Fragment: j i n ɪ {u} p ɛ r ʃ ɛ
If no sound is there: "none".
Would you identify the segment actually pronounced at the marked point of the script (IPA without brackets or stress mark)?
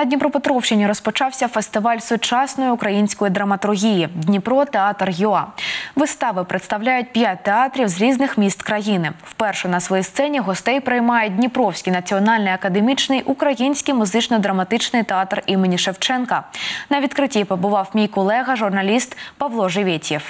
w